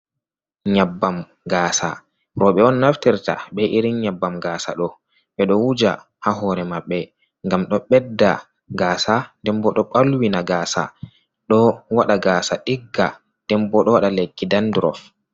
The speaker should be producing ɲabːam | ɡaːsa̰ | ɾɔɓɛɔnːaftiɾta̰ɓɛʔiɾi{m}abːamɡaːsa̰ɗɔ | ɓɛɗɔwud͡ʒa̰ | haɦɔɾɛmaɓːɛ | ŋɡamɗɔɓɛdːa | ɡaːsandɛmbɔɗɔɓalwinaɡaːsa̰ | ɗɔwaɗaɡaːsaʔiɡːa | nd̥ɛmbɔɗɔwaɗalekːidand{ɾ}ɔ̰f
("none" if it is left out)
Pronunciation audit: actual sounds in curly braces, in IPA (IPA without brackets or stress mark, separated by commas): ɲ, ɾ